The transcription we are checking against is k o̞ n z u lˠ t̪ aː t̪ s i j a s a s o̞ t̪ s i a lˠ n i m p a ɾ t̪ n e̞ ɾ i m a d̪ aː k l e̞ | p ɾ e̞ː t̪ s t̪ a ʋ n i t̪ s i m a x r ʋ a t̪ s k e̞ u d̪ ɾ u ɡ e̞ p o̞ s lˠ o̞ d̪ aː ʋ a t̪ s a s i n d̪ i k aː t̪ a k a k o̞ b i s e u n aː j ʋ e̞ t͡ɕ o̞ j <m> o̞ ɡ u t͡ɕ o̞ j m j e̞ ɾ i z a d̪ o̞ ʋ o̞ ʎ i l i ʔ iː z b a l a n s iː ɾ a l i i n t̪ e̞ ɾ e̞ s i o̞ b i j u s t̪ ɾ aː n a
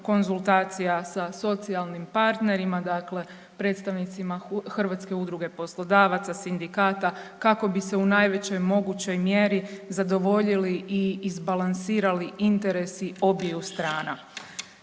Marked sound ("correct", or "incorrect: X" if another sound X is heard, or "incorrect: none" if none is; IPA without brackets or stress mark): correct